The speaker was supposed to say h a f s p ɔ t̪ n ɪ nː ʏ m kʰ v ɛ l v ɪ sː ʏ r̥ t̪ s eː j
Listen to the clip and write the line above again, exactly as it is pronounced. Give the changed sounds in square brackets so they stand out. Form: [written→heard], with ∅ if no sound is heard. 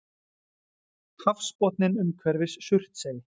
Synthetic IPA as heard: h a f s p ɔ t̪ n ɪ [nː→n] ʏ m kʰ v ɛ [l→ɾ] v ɪ sː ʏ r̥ t̪ s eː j